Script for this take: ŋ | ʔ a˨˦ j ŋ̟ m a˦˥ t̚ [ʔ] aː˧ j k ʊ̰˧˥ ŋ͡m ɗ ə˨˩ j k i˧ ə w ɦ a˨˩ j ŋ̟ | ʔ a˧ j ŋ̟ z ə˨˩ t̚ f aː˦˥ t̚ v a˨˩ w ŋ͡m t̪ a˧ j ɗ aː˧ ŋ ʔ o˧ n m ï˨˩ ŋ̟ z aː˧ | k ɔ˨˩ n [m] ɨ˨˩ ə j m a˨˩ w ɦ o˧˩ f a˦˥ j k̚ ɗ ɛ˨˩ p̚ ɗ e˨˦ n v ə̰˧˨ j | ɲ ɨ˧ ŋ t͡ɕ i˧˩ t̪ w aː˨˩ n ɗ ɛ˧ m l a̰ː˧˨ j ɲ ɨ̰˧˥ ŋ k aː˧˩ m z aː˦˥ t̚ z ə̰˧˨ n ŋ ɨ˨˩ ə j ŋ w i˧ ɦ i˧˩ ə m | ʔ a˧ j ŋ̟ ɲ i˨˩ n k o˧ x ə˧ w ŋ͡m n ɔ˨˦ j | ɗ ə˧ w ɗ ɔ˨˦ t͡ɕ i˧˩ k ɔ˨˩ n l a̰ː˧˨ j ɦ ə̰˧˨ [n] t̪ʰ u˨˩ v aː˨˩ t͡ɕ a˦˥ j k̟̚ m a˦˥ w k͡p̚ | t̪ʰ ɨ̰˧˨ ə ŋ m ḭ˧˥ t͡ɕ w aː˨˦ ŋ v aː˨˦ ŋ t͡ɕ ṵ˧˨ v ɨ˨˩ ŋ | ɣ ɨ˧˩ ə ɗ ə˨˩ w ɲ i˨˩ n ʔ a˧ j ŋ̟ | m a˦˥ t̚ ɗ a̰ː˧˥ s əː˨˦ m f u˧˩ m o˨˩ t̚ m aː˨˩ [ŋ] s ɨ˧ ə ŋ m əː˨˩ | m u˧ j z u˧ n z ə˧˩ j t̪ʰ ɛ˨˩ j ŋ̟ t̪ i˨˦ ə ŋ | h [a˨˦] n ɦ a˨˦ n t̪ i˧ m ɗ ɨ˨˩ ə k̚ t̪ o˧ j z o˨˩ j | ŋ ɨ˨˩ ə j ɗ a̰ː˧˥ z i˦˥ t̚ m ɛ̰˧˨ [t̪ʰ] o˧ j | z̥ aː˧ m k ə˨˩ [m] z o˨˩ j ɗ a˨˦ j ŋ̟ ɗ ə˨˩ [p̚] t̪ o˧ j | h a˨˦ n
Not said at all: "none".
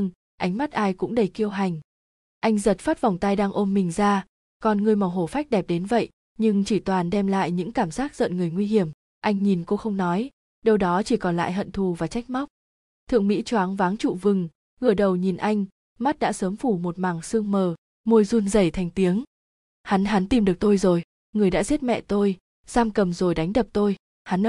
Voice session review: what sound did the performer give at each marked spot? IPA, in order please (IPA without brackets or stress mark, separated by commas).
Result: ʔ, ŋ, n, ŋ, a˨˦, t̪, m, p̚